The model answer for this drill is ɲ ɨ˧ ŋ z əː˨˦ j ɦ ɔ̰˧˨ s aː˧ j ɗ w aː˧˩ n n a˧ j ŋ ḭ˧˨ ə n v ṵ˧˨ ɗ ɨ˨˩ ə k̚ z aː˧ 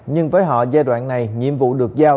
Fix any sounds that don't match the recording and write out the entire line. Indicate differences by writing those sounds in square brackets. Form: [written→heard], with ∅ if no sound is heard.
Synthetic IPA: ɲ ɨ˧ ŋ [z→v] əː˨˦ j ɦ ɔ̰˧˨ [s→z] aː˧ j ɗ w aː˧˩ n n [a˧→a˨˩] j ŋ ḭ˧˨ ə [n→m] v ṵ˧˨ ɗ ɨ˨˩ ə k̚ z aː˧